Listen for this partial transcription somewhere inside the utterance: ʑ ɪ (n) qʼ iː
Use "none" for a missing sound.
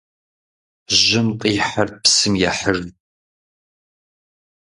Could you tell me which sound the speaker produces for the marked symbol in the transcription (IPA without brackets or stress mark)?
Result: m